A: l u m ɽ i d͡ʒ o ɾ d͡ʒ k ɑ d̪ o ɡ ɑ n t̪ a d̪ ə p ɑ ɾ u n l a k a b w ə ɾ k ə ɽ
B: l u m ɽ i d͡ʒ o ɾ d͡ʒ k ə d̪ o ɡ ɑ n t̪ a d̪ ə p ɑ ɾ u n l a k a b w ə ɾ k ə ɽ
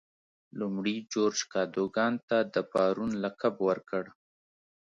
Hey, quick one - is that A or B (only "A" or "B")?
A